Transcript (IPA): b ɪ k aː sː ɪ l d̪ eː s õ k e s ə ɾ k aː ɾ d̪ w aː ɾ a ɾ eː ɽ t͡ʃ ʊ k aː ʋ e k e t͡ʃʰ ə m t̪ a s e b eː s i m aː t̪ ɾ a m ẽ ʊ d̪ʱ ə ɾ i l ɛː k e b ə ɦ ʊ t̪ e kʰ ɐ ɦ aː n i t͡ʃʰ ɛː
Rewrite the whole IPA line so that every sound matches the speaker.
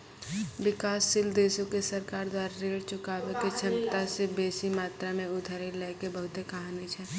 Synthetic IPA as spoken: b ɪ k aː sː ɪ l d̪ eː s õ k e s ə ɾ k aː ɾ d̪ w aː ɾ a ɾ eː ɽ t͡ʃ ʊ k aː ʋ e k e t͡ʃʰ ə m t̪ a s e b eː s i m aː t̪ ɾ a m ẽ ʊ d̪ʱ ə ɾ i l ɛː k e b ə ɦ ʊ t̪ e k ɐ ɦ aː n i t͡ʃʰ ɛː